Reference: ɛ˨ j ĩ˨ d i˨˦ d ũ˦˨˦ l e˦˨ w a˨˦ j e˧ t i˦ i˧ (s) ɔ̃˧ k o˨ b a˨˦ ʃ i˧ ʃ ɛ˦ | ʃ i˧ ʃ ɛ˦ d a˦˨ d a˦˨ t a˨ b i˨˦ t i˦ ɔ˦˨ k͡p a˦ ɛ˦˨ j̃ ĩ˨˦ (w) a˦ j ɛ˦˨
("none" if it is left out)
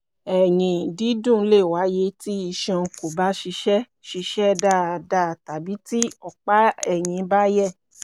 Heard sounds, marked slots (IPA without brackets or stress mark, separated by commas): ʃ, b